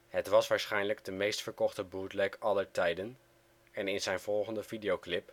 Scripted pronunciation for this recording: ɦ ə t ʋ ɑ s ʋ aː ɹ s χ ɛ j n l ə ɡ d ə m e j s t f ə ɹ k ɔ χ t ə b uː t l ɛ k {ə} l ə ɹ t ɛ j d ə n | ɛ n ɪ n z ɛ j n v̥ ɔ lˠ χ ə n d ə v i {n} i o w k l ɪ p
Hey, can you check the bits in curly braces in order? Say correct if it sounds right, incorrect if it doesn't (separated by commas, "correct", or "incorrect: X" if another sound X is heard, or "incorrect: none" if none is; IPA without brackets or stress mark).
incorrect: ɑ, incorrect: d